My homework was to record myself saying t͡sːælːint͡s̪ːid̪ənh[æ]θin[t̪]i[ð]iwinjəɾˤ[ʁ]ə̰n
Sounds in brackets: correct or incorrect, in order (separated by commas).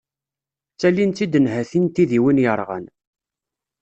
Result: correct, correct, correct, correct